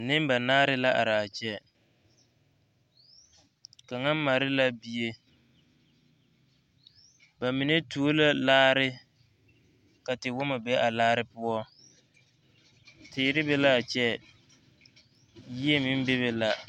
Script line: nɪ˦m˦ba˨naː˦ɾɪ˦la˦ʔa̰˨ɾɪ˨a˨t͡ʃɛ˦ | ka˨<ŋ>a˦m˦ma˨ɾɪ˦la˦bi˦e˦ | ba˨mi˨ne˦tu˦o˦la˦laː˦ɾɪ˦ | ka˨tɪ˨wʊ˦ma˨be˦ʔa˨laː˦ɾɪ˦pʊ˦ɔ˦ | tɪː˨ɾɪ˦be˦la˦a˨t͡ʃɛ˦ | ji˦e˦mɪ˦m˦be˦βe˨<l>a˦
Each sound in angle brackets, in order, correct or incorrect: correct, correct

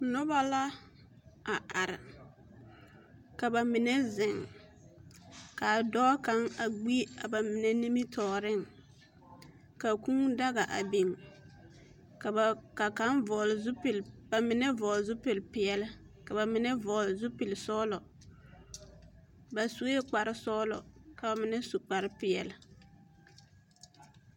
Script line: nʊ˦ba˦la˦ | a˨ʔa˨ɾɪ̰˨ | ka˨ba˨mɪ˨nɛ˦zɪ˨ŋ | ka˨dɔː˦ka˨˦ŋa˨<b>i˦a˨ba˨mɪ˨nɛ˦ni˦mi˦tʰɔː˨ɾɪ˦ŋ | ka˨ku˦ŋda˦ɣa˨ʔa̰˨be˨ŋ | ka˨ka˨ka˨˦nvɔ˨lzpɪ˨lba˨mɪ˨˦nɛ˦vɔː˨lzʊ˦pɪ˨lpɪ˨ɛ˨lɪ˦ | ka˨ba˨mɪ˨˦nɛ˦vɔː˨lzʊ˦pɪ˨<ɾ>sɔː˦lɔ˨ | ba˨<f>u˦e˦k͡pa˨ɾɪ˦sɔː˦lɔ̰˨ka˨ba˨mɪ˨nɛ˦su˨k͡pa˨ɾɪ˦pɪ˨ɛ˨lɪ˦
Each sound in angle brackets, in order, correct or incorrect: incorrect: ɡ͡b, incorrect: l, incorrect: s

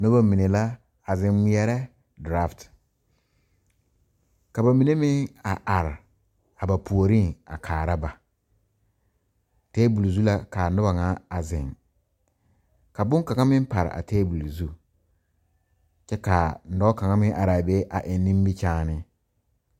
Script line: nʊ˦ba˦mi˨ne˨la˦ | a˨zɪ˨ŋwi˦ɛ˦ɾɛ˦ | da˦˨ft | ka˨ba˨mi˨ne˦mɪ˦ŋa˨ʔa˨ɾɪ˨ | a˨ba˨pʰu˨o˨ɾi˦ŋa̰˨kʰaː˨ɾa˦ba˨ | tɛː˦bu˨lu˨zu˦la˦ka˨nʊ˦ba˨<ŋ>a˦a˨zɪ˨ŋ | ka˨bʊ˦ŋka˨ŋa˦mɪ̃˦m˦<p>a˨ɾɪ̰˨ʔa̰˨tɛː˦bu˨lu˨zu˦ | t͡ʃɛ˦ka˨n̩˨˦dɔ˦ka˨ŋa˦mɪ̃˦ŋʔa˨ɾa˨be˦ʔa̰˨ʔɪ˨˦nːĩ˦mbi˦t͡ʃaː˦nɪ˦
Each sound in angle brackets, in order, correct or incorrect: correct, correct

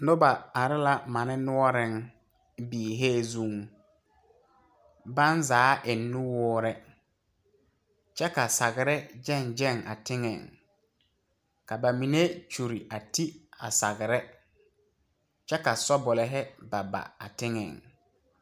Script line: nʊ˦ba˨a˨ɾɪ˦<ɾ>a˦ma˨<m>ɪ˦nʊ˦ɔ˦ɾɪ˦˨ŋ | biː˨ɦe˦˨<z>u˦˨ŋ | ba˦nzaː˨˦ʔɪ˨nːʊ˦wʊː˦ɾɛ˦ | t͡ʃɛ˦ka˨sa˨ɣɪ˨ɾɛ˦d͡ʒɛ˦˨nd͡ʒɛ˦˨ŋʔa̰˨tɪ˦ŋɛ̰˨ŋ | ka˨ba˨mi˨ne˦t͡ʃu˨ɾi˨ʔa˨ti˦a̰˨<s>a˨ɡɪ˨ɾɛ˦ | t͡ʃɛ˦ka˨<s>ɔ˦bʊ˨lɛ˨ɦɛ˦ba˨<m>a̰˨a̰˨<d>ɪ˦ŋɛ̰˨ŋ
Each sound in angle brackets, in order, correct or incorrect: incorrect: l, incorrect: n, correct, correct, correct, incorrect: b, incorrect: t

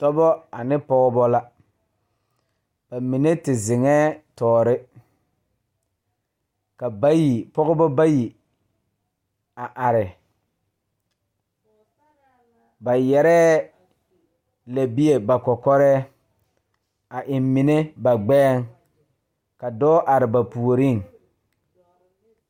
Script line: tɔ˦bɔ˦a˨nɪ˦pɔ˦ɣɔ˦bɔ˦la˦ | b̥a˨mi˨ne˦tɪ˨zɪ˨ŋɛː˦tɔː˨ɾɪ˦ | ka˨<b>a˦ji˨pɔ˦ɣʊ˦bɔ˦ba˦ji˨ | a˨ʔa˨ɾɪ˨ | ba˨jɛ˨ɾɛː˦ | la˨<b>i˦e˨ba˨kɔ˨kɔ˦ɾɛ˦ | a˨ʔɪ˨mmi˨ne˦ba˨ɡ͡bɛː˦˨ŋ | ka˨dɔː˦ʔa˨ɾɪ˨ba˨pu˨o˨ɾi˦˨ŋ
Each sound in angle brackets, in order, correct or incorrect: correct, correct

